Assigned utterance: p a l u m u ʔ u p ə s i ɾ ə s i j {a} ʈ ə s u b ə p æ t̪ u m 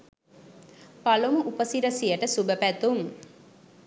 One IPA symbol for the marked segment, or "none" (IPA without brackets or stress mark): ə